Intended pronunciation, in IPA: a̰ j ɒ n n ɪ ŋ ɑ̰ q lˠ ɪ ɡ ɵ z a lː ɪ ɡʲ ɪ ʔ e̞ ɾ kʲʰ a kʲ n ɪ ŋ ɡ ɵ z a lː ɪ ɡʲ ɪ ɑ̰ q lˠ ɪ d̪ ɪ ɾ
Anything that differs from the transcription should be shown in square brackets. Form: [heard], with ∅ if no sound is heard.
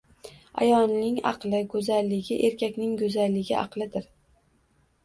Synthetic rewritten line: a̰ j ɒ n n ɪ ŋ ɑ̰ q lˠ ɪ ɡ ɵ z a lː ɪ ɡʲ ɪ ʔ e̞ ɾ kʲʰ a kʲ n ɪ ŋ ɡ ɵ z a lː ɪ ɡʲ ɪ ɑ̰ q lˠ ɪ d̪ ɪ ɾ